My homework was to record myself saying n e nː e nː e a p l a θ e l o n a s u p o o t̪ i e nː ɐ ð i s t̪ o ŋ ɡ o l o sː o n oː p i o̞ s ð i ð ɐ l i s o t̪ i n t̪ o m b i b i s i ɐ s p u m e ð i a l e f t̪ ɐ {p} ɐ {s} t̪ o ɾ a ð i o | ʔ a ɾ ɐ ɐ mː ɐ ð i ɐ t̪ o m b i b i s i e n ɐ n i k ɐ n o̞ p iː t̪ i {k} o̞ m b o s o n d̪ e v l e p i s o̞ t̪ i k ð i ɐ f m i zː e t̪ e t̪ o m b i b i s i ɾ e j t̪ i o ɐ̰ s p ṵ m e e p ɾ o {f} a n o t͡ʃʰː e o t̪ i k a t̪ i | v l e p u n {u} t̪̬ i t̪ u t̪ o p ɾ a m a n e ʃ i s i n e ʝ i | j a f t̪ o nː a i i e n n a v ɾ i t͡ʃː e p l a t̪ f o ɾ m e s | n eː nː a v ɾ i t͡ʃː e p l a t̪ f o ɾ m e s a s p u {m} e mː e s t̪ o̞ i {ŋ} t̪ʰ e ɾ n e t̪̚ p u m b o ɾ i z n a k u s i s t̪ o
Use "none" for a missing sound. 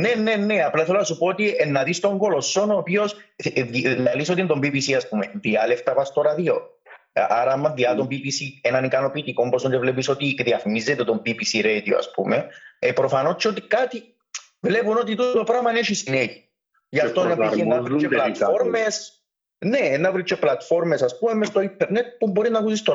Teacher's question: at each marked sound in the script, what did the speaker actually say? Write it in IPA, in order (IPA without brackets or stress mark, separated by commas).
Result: p, s, k, f, o, m, n